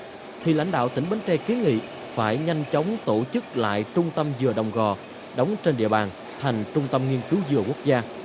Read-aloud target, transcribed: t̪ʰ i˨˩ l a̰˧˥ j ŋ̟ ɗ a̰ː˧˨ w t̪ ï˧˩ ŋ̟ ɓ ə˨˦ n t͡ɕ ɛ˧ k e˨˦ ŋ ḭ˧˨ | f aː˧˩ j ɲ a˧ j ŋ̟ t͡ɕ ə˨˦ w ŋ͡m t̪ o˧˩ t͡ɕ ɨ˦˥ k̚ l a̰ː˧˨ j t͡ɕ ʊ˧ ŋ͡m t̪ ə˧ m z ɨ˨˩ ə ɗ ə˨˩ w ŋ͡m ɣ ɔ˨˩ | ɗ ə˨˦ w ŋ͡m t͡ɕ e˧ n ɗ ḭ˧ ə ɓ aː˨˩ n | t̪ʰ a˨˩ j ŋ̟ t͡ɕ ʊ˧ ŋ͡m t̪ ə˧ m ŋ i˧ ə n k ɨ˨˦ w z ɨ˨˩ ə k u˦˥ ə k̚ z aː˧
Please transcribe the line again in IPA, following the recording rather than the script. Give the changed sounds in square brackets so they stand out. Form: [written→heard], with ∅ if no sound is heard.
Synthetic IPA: t̪ʰ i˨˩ l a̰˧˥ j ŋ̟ ɗ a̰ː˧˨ w t̪ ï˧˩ ŋ̟ ɓ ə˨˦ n t͡ɕ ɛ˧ k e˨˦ ŋ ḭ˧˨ | f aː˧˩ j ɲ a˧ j ŋ̟ t͡ɕ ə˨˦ w ŋ͡m t̪ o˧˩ t͡ɕ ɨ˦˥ k̚ l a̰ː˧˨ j t͡ɕ ʊ˧ ŋ͡m t̪ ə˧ m z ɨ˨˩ ə ɗ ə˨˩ w ŋ͡m ɣ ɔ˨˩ | ɗ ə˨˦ w ŋ͡m t͡ɕ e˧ n ɗ ḭ˧ ə ɓ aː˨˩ n | t̪ʰ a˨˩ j ŋ̟ t͡ɕ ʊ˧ ŋ͡m t̪ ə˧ m ŋ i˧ ə n k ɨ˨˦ w z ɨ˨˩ ə k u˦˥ ə k̚ z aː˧

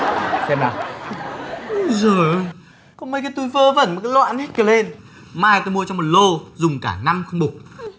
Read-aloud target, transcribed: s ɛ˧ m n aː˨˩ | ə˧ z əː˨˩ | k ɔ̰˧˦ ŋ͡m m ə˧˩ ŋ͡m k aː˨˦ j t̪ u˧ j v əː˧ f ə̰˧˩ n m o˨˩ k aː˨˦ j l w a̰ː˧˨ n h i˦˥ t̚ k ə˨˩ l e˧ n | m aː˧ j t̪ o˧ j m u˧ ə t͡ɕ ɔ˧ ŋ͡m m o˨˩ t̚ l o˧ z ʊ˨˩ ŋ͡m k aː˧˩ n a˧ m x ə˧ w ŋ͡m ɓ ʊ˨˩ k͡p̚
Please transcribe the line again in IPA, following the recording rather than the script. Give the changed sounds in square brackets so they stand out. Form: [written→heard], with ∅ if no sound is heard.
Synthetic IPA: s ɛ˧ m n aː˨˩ | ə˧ z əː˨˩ | k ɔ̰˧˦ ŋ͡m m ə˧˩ [ŋ͡m→∅] k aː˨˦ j t̪ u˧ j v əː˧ [f→v] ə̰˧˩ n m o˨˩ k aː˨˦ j l w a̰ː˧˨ n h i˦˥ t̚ k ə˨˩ l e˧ n | m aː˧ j t̪ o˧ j m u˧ ə t͡ɕ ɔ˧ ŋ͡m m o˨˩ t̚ l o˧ z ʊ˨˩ ŋ͡m k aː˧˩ n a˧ m x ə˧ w ŋ͡m ɓ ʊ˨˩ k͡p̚

